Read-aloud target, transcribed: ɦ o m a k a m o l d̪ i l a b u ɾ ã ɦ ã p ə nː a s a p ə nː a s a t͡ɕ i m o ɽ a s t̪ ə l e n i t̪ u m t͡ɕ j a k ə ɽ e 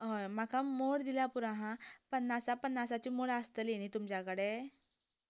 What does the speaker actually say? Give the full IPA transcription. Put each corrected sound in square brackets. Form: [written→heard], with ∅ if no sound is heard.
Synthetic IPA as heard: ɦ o m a k a m o [l→ɽ] d̪ i l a [b→p] u ɾ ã ɦ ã p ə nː a s a p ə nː a s a t͡ɕ i m o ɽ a s t̪ ə l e n i t̪ u m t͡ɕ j a k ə ɽ e